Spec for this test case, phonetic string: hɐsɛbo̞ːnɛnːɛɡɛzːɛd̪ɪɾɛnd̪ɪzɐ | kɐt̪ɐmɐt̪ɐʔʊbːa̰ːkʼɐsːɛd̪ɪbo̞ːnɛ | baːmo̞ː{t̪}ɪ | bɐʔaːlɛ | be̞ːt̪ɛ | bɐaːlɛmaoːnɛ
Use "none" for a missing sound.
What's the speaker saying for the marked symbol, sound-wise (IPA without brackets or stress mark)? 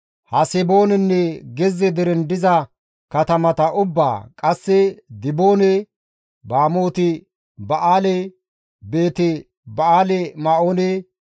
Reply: t̪